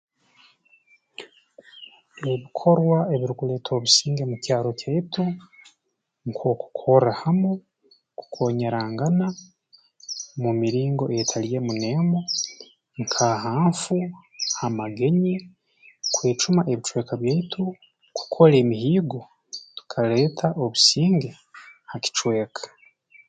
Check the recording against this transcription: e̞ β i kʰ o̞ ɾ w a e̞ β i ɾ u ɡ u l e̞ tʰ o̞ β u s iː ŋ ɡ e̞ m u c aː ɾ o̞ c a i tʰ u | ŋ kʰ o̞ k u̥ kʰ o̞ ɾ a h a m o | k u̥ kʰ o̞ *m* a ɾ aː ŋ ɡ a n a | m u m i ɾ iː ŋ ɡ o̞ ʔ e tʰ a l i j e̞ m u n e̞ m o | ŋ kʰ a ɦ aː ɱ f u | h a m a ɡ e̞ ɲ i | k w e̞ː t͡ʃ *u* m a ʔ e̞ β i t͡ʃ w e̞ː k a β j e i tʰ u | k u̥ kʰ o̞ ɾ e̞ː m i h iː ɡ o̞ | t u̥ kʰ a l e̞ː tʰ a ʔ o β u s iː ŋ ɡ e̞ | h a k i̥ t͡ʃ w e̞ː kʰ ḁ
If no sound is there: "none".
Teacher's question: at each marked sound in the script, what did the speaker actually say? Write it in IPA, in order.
ɲ, u

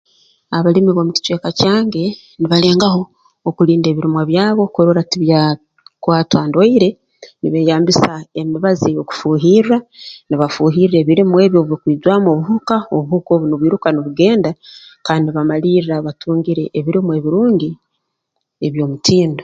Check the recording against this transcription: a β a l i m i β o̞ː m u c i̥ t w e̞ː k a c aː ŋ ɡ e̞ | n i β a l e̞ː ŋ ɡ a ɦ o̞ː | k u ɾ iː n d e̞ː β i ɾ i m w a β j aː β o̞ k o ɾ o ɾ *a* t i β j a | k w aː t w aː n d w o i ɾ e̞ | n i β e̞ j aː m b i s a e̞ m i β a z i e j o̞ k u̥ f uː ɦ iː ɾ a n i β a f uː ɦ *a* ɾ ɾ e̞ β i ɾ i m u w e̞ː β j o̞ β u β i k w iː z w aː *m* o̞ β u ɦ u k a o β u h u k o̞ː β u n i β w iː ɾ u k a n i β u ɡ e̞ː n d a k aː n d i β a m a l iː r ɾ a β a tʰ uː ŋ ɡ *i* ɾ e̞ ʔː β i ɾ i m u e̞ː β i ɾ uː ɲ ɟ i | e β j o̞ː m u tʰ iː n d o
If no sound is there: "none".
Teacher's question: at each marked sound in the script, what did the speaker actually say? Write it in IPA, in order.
a, i, m, i

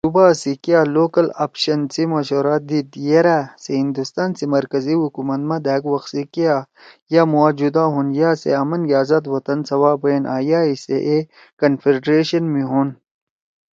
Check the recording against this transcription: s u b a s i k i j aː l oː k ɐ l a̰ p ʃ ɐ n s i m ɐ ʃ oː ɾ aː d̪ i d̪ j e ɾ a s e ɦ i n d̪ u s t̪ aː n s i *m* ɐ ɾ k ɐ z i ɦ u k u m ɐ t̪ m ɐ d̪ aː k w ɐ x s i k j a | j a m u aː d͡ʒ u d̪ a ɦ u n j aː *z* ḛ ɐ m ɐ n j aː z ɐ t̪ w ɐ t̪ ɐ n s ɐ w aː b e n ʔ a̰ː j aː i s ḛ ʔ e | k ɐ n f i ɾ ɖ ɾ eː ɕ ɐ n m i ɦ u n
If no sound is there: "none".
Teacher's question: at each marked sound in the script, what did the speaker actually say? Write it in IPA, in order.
m, s

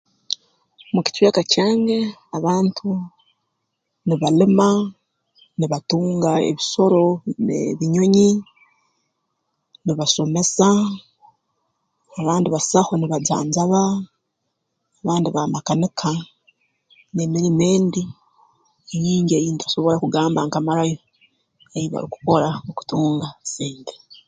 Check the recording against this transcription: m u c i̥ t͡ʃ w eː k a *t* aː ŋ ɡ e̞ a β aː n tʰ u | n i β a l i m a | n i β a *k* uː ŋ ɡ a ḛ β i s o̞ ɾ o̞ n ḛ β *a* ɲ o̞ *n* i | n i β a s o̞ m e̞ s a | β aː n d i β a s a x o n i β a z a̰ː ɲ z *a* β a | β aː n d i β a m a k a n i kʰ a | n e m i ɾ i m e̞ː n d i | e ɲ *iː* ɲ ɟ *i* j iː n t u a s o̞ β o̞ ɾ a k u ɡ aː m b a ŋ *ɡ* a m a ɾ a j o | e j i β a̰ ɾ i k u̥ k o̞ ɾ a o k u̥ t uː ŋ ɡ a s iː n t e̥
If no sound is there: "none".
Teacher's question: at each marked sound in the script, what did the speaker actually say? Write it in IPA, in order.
c, t, i, ɲ, a, iː, e, k

